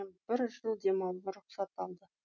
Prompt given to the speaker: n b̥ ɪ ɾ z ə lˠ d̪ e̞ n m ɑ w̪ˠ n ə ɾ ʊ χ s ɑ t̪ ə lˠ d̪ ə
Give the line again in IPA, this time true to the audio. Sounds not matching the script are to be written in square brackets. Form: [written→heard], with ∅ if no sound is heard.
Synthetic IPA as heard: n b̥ ɪ ɾ [z→ʒ] ə lˠ d̪ e̞ [n→∅] m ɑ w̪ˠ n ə ɾ ʊ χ s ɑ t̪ [ə→ɑ] lˠ d̪ ə